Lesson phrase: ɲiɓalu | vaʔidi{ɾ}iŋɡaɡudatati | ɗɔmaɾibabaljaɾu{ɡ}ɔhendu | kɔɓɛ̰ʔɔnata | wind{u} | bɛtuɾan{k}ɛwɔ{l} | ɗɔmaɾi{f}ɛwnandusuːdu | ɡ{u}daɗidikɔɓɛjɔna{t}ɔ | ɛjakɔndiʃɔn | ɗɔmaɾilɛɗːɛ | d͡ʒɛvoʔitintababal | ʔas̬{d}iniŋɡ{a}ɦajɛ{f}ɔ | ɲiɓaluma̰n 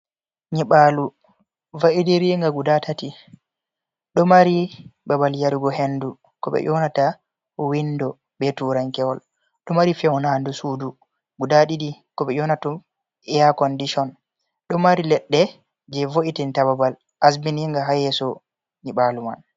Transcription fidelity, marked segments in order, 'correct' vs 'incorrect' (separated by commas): correct, correct, incorrect, correct, correct, correct, correct, correct, incorrect, correct, incorrect